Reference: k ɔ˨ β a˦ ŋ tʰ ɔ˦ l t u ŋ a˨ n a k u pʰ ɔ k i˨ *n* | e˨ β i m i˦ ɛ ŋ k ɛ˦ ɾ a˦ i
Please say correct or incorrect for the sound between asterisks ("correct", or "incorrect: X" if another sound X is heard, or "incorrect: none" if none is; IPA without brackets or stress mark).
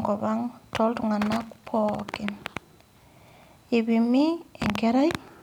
correct